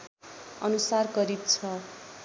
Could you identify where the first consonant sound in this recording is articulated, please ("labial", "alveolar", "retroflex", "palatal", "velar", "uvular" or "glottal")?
alveolar